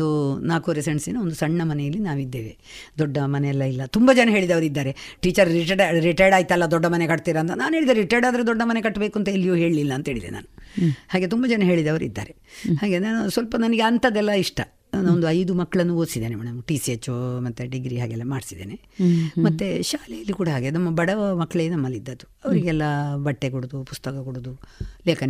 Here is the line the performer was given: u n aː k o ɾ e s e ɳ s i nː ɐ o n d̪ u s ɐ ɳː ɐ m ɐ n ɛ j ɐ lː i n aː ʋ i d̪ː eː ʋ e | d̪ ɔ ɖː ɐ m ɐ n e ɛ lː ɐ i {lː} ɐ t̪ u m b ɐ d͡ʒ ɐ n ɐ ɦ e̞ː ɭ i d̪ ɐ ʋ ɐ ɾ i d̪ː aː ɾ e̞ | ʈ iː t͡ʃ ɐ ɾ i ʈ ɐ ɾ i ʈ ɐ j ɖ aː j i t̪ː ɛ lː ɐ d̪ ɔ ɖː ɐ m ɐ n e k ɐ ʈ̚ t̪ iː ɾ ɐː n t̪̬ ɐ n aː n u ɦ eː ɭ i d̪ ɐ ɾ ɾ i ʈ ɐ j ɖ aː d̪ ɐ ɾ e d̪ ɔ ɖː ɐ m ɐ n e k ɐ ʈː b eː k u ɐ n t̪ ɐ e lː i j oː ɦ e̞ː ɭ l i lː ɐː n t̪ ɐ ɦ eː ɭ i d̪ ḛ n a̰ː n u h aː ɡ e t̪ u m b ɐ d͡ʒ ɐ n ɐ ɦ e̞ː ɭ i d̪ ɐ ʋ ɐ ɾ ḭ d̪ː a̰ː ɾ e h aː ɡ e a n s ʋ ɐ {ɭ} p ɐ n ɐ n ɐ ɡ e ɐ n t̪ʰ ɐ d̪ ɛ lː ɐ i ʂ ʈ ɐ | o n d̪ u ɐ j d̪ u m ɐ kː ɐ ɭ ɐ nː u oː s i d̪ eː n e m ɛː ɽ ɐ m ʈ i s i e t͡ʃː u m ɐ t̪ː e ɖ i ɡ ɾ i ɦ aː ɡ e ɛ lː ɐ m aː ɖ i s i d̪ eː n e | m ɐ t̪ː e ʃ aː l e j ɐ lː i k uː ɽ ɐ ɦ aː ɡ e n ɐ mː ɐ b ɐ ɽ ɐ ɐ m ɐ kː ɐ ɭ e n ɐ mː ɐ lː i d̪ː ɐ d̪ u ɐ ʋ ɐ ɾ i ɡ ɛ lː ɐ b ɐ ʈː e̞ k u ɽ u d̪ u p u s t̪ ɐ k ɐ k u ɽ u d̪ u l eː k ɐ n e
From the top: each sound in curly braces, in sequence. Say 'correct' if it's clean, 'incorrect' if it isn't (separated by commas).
correct, incorrect